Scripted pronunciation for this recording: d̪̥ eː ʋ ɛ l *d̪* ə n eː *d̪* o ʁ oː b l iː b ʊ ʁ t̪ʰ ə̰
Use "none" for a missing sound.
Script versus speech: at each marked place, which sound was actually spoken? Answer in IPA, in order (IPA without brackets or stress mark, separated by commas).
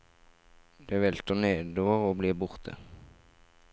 t̪, d̪